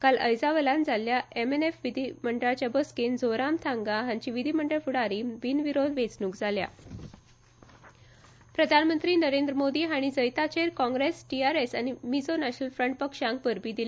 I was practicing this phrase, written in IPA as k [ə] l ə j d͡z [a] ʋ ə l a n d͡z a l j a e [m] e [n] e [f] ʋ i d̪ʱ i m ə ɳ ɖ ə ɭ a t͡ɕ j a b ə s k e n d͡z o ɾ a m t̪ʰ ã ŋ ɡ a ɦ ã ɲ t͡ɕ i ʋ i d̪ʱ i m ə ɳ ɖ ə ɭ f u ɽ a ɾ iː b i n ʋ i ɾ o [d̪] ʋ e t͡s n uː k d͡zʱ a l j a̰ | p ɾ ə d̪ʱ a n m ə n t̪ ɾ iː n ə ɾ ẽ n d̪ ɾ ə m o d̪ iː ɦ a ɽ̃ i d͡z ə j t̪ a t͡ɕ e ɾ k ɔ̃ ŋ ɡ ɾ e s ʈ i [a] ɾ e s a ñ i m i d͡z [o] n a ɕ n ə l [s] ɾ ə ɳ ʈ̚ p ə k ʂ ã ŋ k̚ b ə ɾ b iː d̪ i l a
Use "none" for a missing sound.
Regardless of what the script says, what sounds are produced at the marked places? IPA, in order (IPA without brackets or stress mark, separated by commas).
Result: a, a, m, n, f, d̪, a, o, f